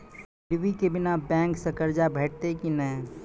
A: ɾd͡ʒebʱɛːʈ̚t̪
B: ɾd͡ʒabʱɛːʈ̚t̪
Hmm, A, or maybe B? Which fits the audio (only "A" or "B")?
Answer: B